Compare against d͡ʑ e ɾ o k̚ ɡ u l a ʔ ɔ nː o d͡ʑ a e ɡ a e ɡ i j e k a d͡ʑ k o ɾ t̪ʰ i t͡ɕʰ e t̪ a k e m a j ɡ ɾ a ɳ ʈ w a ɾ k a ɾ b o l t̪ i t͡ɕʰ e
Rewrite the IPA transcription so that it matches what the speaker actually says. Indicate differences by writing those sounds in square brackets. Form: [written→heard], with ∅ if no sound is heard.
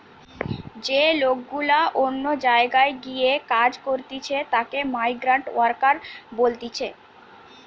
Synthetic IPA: d͡ʑ e [ɾ→l] o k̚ ɡ u l a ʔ [ɔ→o] nː o d͡ʑ a e ɡ a e ɡ i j e k a d͡ʑ k o ɾ [t̪ʰ→t̪] i t͡ɕʰ e t̪ a k e m a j ɡ ɾ a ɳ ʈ w a ɾ k a ɾ b o l t̪ i t͡ɕʰ e